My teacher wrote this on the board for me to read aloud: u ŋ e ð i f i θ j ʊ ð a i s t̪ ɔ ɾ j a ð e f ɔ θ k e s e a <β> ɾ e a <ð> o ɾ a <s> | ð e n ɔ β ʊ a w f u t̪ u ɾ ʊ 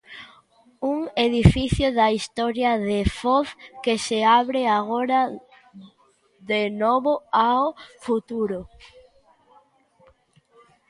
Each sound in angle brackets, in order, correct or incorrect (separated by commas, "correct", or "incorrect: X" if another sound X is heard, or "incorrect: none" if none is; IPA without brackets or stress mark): correct, incorrect: ɣ, incorrect: none